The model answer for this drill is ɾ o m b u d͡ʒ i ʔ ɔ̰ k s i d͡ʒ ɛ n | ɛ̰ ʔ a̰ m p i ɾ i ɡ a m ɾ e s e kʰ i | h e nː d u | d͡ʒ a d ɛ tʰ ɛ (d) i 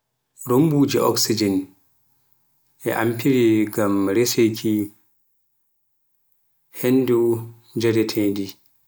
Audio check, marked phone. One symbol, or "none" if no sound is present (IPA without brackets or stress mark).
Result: d